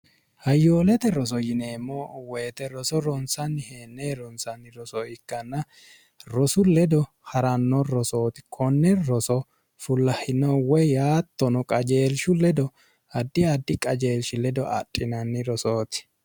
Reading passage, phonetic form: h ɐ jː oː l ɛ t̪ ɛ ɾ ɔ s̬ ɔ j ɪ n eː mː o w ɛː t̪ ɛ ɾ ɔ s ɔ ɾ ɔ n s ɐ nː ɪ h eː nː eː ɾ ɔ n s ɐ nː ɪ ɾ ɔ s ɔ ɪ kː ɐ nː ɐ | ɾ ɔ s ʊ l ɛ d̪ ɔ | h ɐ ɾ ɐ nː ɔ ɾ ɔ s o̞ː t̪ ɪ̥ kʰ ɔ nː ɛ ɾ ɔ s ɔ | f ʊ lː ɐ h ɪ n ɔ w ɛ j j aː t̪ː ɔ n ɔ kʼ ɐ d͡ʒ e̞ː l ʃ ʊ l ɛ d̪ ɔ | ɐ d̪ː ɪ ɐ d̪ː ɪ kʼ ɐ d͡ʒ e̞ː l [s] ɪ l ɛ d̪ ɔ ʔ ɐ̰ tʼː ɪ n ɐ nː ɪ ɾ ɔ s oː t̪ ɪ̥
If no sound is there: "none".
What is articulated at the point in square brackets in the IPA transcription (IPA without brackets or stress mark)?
ʃ